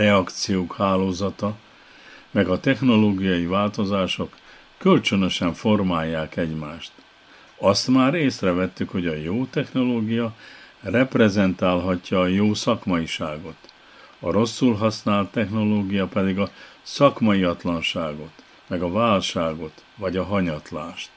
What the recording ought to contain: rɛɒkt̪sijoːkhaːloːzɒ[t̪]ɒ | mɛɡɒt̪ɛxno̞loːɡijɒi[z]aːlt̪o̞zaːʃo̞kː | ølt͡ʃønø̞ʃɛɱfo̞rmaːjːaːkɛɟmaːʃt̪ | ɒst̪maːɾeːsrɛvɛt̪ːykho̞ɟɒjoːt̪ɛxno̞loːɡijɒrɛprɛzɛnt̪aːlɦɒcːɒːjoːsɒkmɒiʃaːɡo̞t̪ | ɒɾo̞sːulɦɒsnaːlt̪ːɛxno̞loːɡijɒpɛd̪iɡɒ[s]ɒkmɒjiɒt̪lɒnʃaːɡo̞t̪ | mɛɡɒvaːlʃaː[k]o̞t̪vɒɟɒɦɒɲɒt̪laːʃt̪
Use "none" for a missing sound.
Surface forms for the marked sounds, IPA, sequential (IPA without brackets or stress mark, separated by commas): t̪, v, s, ɡ